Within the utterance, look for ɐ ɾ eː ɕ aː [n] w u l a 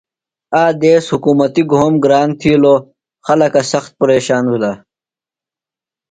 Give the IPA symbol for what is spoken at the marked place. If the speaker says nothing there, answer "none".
n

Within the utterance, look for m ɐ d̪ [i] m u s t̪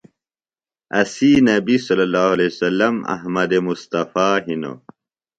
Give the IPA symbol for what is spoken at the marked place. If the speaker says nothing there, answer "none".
e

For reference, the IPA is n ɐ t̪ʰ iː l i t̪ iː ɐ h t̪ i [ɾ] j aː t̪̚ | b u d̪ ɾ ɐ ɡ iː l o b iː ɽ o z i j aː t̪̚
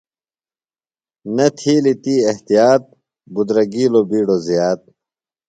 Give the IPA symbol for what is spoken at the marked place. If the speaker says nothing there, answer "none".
none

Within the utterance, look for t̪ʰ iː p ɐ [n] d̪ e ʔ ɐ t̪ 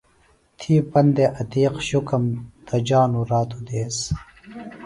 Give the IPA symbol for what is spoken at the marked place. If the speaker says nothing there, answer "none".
n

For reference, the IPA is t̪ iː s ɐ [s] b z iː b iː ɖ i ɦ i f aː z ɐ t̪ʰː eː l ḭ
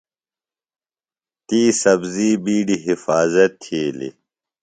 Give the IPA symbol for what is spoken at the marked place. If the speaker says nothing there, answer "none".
none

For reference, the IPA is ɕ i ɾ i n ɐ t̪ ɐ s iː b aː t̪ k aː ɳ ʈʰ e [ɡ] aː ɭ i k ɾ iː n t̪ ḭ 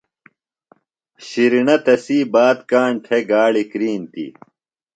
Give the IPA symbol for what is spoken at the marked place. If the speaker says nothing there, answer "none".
ɡ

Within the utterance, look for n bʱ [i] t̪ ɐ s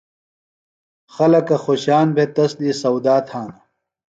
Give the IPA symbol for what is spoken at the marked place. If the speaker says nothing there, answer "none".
e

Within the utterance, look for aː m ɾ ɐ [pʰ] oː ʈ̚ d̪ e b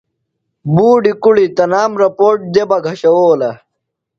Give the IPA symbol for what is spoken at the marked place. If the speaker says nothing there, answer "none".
p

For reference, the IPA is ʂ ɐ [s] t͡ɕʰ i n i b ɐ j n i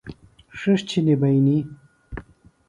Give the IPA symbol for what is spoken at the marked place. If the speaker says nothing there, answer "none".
ʂ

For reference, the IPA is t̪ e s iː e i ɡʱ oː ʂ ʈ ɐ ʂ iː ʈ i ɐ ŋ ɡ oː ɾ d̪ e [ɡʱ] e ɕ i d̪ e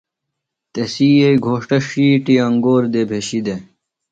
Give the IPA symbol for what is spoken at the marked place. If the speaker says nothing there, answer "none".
bʱ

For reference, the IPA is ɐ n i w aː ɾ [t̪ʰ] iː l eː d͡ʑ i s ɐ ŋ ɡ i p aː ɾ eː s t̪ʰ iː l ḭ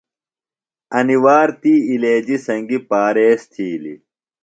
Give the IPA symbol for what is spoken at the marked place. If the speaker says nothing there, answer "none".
t̪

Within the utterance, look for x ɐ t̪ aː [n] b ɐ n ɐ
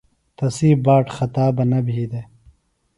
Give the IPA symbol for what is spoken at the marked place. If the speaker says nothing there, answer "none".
none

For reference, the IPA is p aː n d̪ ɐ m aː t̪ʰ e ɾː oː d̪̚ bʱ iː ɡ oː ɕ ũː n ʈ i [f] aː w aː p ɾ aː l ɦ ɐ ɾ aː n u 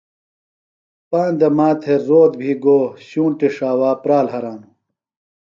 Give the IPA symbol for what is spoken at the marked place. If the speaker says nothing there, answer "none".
ʂ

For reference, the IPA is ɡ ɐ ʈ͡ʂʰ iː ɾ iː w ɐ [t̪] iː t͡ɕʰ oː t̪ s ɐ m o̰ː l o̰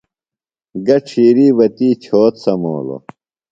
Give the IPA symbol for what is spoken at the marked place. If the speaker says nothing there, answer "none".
t̪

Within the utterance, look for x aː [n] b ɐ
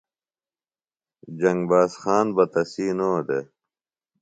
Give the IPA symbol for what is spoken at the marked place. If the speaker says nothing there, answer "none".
n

